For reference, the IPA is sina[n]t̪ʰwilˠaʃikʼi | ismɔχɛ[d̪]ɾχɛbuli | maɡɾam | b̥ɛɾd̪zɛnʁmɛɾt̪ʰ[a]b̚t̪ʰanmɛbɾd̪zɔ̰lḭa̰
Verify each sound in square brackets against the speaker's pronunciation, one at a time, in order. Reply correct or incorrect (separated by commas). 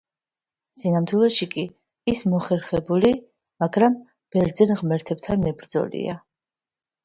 incorrect, incorrect, incorrect